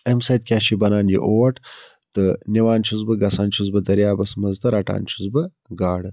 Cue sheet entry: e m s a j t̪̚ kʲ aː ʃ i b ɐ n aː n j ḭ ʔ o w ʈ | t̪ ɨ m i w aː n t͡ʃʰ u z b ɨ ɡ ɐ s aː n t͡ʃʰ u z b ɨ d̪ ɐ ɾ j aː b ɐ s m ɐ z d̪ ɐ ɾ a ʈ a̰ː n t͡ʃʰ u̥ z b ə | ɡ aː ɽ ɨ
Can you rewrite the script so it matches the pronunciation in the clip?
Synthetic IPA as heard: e m s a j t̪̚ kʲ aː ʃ i b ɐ n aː n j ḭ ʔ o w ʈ | t̪ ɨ n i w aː n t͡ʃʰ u z b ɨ ɡ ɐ s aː n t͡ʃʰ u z b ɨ d̪ ɐ ɾ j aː b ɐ s m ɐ z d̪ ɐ ɾ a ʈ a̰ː n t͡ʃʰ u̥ z b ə | ɡ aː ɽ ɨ